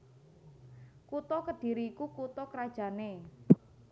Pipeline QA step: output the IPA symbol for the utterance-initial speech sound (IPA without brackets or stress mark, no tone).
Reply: k